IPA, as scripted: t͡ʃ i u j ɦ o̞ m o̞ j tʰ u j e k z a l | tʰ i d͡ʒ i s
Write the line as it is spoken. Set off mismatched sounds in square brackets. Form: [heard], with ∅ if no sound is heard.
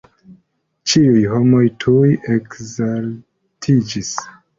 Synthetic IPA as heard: t͡ʃ i u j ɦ o̞ m o̞ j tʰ u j e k z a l | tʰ i d͡ʒ i s